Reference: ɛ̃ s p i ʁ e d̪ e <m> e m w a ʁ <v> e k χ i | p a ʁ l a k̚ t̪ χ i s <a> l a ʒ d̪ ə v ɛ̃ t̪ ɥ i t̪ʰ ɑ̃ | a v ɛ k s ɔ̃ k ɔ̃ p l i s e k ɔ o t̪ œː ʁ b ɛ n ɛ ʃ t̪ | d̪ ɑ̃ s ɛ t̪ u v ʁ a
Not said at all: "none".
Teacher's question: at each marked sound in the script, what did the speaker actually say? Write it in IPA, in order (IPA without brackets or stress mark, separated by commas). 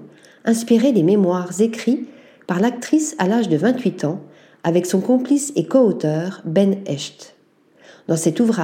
m, z, a